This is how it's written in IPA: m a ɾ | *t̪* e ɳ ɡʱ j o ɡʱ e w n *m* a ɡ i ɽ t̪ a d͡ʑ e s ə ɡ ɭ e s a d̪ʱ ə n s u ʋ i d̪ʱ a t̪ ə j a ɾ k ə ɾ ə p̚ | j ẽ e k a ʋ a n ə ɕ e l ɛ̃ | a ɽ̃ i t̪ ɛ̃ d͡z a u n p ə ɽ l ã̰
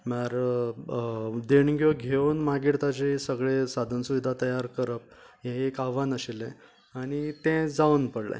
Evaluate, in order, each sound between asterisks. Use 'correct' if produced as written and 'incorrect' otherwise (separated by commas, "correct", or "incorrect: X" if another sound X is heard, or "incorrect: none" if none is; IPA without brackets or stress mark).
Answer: incorrect: d̪, correct